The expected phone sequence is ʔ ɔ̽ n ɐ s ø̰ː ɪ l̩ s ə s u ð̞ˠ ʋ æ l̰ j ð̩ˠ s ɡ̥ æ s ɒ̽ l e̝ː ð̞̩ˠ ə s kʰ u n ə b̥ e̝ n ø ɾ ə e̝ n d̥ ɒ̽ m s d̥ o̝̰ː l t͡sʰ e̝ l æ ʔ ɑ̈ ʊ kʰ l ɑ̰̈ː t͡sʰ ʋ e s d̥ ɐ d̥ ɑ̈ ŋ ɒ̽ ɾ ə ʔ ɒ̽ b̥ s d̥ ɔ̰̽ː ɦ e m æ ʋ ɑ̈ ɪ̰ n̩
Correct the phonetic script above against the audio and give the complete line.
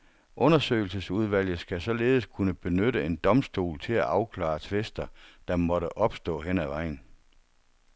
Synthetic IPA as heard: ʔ ɔ̽ n ɐ s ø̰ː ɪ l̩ s ə s u ð̞ˠ ʋ æ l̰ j ð̩ˠ s ɡ̥ æ s ɒ̽ l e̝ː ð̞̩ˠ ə s kʰ u n ə b̥ e̝ n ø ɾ ə e̝ n d̥ ɒ̽ m s d̥ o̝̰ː l t͡sʰ e̝ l æ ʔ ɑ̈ ʊ kʰ l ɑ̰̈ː t͡sʰ ʋ e s d̥ ɐ d̥ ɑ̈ m ɒ̽ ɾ ə ʔ ɒ̽ b̥ s d̥ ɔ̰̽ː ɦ e n æ ʋ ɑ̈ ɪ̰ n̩